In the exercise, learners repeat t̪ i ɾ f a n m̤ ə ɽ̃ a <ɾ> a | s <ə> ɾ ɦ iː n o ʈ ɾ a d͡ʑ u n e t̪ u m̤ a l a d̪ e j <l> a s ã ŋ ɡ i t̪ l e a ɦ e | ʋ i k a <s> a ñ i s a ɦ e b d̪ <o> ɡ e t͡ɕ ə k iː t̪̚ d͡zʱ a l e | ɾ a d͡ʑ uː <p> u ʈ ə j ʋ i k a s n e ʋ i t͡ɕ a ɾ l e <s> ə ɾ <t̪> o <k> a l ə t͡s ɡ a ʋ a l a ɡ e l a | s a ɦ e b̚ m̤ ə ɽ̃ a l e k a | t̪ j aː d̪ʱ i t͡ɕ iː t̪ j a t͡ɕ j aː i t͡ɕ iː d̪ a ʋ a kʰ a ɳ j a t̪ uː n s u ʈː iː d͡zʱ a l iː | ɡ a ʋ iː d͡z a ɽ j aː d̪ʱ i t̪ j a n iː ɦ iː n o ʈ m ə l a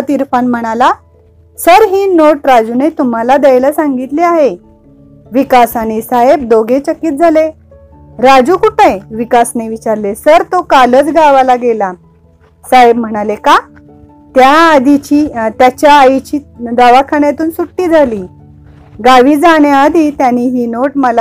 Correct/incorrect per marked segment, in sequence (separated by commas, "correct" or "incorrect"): incorrect, correct, correct, correct, correct, incorrect, correct, correct, correct